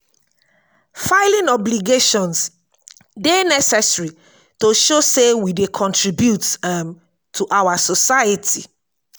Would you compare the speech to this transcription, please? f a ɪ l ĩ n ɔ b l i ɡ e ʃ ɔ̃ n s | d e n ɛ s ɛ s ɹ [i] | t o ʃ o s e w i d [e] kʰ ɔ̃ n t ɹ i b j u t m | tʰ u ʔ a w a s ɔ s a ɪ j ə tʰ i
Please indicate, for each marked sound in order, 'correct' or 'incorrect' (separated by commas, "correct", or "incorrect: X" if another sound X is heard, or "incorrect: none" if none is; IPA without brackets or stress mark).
correct, correct